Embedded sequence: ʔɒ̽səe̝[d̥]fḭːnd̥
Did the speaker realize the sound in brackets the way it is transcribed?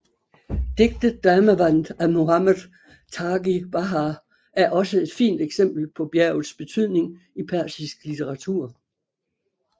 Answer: yes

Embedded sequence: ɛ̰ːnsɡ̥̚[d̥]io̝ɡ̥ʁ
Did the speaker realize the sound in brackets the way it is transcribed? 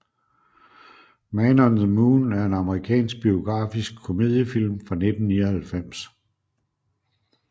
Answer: no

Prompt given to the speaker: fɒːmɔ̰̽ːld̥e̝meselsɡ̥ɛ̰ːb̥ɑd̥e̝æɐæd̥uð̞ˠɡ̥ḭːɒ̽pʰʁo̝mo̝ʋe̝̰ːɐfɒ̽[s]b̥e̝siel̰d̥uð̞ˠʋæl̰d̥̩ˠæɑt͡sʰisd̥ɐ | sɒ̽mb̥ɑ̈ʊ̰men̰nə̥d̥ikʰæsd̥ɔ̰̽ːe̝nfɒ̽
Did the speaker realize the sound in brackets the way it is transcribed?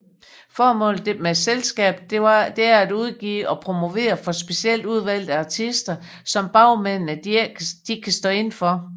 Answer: yes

